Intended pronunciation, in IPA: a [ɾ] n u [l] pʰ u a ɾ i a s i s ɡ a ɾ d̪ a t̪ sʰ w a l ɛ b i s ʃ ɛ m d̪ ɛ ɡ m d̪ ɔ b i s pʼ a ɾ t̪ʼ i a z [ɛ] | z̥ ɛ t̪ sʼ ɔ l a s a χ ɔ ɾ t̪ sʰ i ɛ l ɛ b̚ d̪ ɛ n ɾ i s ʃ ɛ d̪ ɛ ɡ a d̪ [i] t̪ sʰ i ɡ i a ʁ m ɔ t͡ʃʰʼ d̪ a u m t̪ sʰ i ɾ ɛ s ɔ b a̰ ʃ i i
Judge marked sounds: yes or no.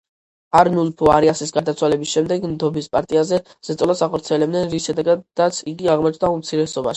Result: yes, yes, yes, no

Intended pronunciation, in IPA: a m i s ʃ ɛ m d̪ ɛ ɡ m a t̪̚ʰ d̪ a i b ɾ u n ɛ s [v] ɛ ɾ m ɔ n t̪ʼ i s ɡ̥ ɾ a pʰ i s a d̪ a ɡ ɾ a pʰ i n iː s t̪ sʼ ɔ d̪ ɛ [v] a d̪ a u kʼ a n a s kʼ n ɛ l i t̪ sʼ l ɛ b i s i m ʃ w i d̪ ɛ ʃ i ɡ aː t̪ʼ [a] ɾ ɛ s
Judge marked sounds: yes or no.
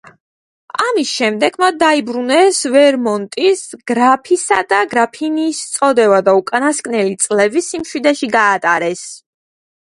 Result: yes, yes, yes

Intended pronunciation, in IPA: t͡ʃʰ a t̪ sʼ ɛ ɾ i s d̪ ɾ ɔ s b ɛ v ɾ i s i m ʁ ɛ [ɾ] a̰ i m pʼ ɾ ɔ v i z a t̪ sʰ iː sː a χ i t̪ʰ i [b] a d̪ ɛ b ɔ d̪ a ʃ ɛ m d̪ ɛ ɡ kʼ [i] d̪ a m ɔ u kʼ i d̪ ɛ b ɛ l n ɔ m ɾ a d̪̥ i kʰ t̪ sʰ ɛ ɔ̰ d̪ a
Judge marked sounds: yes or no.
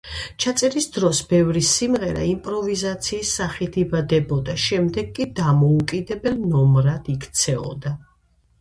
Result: yes, yes, yes

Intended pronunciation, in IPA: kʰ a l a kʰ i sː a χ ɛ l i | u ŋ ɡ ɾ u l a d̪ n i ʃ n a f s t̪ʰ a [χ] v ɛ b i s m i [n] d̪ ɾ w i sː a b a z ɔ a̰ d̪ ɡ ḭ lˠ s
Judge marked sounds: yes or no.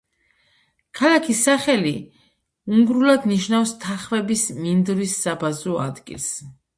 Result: yes, yes

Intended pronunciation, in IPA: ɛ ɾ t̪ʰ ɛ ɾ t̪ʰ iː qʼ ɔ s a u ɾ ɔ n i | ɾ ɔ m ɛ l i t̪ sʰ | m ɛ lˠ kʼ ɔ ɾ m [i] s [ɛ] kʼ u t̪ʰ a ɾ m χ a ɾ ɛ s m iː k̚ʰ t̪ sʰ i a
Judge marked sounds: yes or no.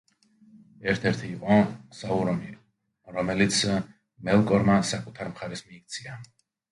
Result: no, no

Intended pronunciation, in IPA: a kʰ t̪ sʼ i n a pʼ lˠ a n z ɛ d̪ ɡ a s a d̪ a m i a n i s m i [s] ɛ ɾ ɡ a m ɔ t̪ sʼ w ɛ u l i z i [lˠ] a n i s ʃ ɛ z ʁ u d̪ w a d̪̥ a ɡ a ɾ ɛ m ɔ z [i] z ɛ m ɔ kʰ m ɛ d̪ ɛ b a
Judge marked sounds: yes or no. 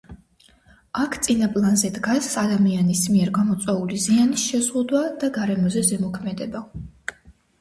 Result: no, no, no

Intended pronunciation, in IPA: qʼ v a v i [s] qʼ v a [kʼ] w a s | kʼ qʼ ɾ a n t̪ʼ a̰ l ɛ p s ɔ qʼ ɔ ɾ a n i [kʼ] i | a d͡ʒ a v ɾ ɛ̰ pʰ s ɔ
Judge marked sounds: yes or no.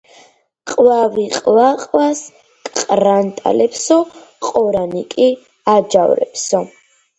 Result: no, no, yes

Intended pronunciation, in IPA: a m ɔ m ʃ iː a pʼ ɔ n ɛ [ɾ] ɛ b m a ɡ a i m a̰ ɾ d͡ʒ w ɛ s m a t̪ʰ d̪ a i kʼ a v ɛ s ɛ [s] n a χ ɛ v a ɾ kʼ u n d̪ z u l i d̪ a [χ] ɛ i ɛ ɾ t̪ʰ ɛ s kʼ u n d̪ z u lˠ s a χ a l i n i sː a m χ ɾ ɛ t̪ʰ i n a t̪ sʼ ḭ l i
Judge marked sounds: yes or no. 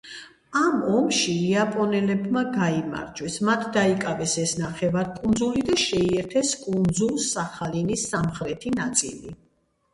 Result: no, yes, no

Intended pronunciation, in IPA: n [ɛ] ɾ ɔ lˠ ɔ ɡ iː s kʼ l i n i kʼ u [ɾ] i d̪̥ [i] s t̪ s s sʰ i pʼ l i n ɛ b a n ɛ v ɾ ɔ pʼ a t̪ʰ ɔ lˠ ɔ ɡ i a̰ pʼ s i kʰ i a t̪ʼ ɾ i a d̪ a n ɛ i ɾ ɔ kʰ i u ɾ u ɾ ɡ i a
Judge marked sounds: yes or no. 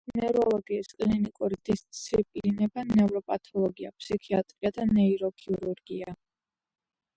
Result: yes, yes, yes

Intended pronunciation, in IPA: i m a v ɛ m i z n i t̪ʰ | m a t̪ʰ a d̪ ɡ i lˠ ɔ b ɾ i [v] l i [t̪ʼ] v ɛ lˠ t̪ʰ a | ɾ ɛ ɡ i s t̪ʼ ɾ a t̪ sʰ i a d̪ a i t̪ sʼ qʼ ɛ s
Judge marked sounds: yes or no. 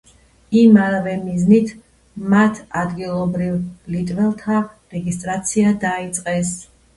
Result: yes, yes

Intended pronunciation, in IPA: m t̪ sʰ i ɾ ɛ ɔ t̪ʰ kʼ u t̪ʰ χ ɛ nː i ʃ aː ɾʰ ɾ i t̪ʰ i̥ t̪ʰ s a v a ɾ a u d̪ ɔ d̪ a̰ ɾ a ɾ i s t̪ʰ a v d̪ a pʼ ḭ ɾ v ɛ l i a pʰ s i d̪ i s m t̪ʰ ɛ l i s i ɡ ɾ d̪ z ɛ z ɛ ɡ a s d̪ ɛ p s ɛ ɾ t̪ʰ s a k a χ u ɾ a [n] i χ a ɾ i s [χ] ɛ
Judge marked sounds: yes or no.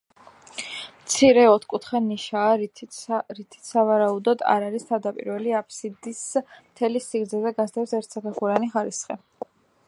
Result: yes, yes

